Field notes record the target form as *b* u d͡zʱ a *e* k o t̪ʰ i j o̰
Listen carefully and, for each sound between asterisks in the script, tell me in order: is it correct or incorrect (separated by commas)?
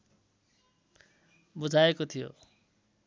correct, correct